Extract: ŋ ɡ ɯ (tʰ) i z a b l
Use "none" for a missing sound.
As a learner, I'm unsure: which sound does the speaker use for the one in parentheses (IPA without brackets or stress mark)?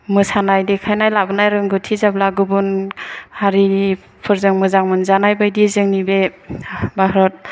tʰ